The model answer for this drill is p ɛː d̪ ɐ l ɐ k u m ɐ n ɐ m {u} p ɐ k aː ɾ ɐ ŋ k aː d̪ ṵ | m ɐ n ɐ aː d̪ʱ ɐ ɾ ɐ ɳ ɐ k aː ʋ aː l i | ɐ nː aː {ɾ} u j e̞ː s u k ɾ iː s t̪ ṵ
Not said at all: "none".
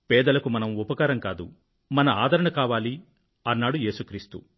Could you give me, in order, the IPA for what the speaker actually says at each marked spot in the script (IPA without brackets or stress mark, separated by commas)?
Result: u, ɽ